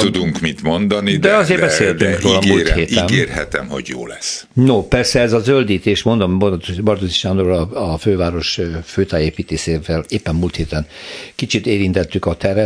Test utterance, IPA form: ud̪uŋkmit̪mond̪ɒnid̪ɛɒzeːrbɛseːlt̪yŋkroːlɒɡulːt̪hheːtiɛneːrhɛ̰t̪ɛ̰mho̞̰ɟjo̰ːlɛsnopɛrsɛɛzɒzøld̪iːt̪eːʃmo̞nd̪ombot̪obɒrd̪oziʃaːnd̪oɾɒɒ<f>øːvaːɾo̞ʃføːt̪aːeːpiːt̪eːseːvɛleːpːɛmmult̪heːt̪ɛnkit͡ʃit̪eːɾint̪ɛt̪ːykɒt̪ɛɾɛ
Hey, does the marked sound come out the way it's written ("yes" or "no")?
yes